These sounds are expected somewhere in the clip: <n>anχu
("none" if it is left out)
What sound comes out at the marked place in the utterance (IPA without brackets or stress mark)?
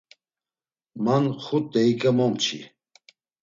m